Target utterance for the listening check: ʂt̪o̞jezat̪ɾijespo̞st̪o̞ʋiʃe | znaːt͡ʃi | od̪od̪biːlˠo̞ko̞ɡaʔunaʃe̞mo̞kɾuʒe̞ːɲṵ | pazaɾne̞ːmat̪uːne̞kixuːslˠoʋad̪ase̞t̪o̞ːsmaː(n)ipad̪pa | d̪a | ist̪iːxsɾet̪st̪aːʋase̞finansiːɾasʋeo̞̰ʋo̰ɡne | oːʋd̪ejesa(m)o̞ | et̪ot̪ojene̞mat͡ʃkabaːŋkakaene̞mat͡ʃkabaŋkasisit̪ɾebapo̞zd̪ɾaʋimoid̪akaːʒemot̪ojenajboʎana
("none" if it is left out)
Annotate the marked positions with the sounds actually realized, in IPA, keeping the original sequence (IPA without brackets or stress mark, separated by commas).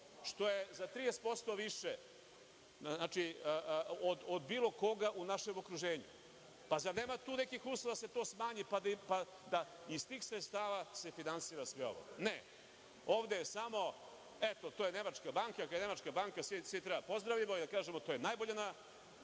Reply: ɲ, m